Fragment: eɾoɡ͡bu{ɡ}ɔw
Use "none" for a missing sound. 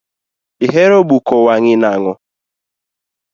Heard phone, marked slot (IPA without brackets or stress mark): k